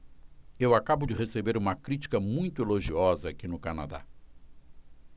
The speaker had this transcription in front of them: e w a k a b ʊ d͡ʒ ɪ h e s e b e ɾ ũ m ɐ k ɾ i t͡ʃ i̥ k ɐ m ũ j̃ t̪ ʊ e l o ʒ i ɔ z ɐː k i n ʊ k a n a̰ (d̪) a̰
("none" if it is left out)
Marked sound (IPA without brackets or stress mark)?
d̪